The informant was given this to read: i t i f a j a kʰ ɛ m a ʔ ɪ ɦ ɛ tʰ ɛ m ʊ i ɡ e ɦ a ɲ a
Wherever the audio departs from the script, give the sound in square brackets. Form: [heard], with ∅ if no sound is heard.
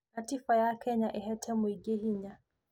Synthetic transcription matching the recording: [a] t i f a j a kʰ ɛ [ɲ] a ʔ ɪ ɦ ɛ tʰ ɛ m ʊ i ɡ e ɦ [i] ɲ a